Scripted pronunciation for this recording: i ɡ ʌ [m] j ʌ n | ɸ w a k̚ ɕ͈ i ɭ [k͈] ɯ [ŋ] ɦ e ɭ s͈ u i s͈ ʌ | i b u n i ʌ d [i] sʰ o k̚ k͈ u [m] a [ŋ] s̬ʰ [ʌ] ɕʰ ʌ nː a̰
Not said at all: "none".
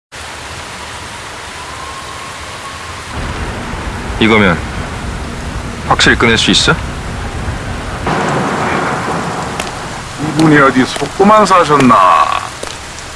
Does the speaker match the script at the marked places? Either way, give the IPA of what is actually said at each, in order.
m, k͈, n, i, m, n, a

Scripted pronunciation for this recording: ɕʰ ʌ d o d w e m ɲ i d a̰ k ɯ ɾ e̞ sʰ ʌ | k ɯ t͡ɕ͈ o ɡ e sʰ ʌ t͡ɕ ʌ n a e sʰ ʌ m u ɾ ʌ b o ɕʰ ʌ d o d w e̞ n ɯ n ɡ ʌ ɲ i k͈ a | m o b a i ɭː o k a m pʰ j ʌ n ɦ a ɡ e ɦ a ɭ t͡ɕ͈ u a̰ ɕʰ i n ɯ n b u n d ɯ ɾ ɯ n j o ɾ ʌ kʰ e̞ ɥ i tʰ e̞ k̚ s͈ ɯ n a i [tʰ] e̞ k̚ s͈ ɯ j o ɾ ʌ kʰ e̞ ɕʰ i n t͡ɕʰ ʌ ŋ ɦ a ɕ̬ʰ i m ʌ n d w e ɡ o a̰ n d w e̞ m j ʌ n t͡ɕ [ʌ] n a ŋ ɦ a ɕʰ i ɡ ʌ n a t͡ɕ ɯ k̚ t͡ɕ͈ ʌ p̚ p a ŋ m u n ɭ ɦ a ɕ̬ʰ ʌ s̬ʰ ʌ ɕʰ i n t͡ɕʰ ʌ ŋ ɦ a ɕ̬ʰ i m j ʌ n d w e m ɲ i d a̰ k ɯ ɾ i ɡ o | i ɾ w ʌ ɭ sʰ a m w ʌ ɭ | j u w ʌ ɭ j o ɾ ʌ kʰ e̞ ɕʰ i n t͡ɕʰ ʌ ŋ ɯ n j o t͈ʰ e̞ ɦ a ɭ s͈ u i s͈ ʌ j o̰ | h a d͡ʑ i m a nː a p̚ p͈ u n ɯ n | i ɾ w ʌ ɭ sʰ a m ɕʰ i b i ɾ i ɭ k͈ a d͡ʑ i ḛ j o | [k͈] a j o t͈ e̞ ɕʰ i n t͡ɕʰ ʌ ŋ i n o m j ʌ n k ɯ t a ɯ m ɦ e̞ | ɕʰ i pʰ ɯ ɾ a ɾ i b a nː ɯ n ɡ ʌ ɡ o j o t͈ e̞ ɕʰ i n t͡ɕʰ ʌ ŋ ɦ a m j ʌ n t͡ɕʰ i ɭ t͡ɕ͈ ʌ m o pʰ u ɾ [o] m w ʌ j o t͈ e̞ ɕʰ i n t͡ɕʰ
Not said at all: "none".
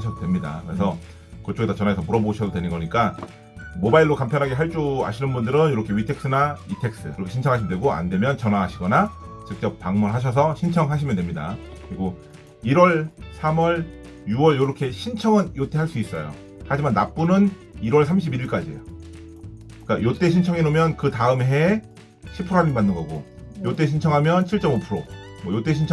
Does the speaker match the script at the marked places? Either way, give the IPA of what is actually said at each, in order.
tʰ, ʌ, k͈, o

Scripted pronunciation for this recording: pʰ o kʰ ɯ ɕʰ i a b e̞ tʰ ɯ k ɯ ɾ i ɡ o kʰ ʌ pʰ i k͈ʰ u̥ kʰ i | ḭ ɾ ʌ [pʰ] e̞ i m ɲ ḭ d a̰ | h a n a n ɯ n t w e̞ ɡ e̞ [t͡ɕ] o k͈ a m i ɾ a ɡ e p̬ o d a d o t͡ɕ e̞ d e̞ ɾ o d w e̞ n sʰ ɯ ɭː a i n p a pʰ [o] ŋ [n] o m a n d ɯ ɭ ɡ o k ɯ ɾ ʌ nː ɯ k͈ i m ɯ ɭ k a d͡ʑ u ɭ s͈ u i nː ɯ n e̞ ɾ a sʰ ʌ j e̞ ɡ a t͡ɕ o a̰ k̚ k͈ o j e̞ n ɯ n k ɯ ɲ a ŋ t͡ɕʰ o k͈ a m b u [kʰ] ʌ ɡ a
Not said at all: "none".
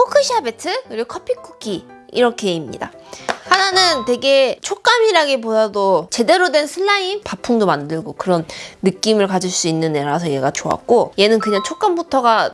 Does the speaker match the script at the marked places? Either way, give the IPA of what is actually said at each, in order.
kʰ, t͡ɕʰ, u, d, tʰ

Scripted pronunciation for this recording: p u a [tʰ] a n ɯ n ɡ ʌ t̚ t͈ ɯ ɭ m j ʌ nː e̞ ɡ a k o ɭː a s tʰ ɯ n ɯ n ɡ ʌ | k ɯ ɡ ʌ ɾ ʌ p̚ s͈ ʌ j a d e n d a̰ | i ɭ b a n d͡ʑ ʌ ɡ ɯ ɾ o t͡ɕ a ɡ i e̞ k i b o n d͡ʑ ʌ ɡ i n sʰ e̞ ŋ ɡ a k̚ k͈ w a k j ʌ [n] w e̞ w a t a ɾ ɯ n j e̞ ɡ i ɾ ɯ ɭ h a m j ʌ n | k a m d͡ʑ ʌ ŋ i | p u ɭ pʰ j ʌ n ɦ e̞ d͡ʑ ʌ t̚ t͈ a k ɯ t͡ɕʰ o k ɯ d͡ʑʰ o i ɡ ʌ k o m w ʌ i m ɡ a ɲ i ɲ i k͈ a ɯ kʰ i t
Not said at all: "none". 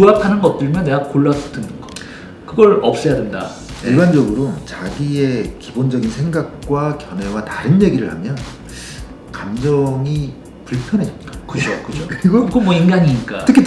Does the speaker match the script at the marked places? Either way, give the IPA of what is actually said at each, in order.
pʰ, n

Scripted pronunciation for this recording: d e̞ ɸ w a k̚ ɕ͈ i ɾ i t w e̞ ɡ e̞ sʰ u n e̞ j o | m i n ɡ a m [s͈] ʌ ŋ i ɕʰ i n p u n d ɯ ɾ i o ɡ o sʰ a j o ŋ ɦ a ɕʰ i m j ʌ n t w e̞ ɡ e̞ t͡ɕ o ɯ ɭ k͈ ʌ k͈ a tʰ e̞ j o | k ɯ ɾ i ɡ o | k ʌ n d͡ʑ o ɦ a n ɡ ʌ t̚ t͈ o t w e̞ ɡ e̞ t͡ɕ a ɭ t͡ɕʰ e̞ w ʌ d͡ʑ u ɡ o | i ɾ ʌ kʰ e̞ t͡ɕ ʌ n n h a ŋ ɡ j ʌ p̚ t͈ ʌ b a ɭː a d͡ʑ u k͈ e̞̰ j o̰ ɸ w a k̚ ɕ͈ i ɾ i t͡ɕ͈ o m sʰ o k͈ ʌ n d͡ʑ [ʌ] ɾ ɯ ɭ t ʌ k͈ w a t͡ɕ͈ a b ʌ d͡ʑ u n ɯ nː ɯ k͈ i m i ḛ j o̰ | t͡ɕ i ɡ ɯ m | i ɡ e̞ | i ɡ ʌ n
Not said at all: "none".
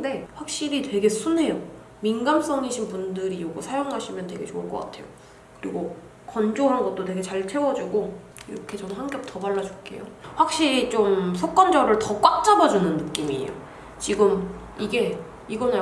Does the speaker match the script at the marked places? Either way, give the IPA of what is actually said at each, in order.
s͈, ʌ

